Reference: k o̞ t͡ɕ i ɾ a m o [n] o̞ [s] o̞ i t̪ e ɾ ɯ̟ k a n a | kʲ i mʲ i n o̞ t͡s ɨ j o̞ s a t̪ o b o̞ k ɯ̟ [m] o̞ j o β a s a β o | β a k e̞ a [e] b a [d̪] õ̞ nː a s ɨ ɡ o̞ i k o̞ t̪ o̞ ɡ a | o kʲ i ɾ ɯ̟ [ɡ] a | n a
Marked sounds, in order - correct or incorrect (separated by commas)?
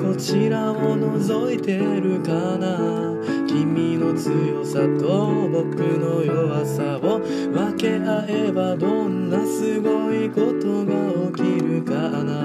correct, incorrect, incorrect, correct, correct, incorrect